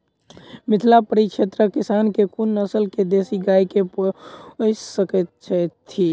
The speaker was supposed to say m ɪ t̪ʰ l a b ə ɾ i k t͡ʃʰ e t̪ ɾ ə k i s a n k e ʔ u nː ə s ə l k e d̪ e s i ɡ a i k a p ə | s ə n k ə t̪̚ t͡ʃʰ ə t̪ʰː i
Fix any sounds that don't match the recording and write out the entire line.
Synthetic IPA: m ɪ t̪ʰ l a p ə ɾ i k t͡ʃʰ e t̪ ɾ ə k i s a n k e k u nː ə s ə l k e d̪ e s i ɡ a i k e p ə | s ə k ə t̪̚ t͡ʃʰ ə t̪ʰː i